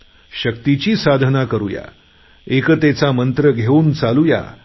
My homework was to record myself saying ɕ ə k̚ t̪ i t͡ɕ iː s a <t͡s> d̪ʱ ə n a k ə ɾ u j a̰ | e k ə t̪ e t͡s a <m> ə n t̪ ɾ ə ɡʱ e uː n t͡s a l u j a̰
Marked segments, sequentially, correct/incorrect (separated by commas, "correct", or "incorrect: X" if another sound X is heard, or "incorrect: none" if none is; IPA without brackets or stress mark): incorrect: none, correct